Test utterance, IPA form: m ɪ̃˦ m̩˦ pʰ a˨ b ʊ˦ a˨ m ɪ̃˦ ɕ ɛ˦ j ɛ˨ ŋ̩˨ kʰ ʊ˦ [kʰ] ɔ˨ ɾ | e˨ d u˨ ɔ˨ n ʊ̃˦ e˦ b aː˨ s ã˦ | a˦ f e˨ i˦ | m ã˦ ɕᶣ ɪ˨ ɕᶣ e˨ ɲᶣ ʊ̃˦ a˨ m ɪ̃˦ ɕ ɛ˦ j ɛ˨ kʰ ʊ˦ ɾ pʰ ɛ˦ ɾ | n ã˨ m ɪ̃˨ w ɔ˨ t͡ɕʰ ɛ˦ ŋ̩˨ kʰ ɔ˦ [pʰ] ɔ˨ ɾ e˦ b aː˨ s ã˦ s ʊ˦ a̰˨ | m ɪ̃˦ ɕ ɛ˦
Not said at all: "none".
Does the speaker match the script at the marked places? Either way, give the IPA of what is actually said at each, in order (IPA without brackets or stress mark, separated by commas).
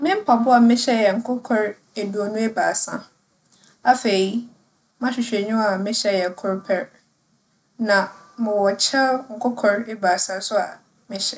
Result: kʰ, kʰ